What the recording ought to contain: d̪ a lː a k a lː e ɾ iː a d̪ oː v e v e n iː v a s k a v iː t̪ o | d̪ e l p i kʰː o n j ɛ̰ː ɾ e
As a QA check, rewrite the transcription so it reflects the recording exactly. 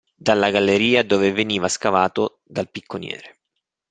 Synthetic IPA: d̪ a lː a ɡ a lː e ɾ iː a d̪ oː v e v e n iː v a s k a v aː t̪ o | d̪ a l p i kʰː o n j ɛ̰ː ɾ e